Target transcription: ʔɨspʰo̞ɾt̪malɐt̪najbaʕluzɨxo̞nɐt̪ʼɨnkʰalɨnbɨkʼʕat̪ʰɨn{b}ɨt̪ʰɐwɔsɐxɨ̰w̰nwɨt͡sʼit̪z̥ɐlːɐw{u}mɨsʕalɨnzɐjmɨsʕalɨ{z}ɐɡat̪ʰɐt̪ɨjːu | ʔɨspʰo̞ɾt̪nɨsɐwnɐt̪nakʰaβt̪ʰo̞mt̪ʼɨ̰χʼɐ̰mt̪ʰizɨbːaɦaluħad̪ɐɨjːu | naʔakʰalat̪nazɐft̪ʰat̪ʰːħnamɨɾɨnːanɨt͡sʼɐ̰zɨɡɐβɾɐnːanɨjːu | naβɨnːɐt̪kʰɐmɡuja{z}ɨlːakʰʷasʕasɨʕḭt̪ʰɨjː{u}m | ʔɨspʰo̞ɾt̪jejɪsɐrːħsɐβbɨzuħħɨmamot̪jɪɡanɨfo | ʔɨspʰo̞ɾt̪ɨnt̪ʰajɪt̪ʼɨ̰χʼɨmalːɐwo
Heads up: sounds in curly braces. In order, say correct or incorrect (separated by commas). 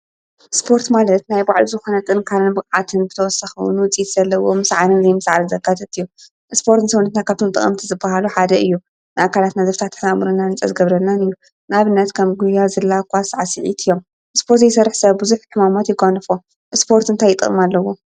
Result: correct, incorrect, correct, correct, incorrect